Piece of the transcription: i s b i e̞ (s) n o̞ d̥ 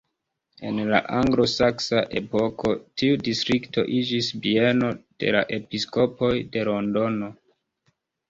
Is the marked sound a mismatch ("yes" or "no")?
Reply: yes